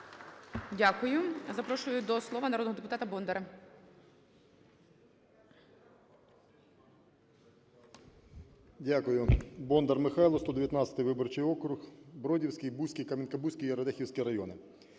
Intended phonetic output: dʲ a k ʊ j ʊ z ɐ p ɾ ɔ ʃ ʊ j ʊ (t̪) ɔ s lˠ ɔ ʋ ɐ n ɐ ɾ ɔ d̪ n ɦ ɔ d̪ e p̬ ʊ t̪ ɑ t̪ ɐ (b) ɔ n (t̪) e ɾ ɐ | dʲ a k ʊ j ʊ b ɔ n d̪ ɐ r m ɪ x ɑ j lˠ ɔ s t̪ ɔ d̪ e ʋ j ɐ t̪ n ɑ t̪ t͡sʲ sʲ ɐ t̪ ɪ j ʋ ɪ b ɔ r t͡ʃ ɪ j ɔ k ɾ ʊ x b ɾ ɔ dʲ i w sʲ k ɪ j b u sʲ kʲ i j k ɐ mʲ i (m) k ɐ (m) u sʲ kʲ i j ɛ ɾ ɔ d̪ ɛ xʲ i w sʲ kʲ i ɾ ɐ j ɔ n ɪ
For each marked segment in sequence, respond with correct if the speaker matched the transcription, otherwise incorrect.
incorrect: d̪, correct, incorrect: d̪, incorrect: n, incorrect: b

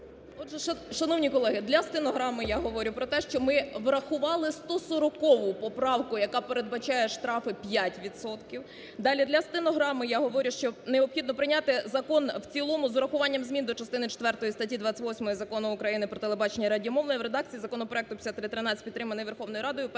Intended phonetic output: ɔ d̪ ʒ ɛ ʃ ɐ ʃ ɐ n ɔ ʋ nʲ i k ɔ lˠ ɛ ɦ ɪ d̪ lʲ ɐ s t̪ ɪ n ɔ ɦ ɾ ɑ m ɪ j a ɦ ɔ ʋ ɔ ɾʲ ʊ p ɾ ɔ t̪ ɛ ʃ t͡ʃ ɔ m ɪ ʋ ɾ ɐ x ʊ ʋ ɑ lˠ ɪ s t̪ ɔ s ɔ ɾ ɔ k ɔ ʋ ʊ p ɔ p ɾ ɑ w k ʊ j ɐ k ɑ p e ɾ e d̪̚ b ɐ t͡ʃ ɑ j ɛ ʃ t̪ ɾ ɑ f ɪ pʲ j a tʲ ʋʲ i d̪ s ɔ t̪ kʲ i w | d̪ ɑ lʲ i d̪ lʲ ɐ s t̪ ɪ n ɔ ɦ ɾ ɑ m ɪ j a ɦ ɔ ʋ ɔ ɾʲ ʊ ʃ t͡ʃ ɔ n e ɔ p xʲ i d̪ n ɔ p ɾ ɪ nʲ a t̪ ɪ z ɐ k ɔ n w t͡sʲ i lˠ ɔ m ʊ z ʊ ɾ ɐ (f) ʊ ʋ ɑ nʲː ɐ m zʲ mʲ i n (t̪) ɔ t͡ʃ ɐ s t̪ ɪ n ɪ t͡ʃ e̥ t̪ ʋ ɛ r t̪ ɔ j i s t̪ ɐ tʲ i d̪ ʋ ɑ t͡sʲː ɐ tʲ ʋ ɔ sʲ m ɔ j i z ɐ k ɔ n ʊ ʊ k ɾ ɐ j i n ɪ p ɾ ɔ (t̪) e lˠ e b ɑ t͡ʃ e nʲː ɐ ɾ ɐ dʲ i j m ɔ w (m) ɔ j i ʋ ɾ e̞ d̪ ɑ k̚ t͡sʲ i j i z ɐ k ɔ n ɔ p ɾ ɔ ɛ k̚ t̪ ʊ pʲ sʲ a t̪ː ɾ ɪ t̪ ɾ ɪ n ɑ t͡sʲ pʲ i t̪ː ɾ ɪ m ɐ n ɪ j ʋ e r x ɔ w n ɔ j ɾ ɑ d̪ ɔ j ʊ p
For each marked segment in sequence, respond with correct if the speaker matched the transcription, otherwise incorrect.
incorrect: x, incorrect: d̪, correct, incorrect: n

